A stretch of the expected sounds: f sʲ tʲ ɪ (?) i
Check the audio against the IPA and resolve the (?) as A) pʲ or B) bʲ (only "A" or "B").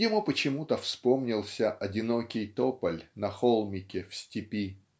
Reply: A